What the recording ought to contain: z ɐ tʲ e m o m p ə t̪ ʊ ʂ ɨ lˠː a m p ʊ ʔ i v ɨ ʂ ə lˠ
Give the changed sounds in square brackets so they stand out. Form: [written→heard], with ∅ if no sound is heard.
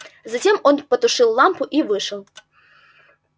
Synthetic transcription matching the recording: z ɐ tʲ e m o [m→n] p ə t̪ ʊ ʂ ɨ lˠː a m p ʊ ʔ i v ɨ ʂ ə lˠ